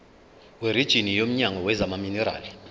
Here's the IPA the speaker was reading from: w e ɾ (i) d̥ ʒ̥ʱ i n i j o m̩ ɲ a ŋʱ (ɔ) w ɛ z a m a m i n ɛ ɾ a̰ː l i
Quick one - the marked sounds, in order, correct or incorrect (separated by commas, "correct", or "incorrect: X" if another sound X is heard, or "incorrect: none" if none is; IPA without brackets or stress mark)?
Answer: correct, correct